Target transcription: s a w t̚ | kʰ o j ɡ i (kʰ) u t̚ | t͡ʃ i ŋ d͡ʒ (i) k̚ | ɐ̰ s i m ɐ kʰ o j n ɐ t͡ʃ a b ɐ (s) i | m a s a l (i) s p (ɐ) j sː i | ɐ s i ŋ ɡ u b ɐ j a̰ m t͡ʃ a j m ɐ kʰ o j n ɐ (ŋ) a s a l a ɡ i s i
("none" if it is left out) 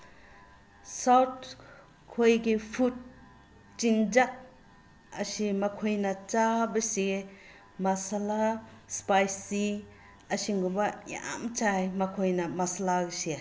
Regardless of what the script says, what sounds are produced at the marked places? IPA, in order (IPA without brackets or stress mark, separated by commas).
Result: pʰ, a, s, a, a, m